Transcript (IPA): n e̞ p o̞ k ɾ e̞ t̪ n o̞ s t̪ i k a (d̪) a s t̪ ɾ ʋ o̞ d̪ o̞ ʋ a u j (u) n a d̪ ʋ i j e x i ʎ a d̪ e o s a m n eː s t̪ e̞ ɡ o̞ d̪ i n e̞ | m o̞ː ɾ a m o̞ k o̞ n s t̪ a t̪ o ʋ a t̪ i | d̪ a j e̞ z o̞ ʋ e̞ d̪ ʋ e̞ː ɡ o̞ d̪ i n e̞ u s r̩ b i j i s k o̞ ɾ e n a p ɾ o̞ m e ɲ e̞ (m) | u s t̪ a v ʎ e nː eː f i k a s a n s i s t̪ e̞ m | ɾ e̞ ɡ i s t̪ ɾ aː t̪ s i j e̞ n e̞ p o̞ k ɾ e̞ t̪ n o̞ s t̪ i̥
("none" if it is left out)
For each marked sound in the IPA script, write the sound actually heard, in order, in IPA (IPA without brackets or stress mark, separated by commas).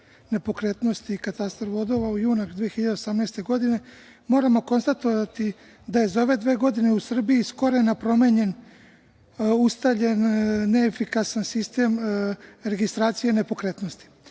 t̪, uː, n